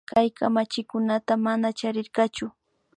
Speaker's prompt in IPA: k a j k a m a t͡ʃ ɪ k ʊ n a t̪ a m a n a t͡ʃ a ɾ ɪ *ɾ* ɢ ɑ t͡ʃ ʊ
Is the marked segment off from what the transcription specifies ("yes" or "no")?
no